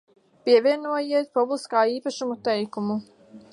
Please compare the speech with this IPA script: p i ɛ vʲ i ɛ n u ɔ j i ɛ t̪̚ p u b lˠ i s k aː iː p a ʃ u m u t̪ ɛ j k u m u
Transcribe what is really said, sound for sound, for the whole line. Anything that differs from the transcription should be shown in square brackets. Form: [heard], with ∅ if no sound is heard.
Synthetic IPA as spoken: p i ɛ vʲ i ɛ n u ɔ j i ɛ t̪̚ p u b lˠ i s k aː iː p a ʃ u m u t̪ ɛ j k u m u